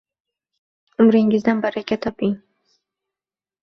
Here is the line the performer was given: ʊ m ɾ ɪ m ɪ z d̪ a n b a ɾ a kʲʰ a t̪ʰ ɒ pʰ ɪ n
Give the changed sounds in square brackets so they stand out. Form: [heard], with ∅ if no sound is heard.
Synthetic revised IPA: ʊ m ɾ ɪ [ŋ] ɪ z d̪ a n b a ɾ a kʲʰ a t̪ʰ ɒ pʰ ɪ [ŋ]